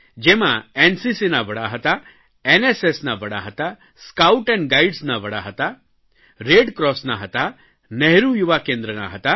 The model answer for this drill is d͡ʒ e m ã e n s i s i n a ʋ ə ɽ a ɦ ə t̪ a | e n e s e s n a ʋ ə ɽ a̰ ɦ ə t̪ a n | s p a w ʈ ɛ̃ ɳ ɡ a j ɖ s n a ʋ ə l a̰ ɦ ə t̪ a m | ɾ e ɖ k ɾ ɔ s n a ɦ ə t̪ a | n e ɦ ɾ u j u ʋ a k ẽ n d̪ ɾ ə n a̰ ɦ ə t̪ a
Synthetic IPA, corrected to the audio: d͡ʒ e m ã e n s i s i n a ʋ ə ɽ a ɦ ə t̪ a | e n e s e s n a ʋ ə ɽ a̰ ɦ ə t̪ a | s k a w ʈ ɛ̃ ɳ ɡ a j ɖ s n a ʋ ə ɽ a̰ ɦ ə t̪ a | ɾ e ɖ k ɾ ɔ s n a ɦ ə t̪ a | n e ɦ ɾ u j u ʋ a k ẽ n d̪ ɾ ə n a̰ ɦ ə t̪ a